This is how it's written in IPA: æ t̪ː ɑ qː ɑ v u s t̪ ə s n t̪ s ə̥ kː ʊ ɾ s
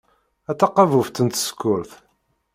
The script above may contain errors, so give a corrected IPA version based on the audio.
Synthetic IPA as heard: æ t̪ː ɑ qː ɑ v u f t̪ ə n t̪ s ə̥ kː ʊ ɾ θ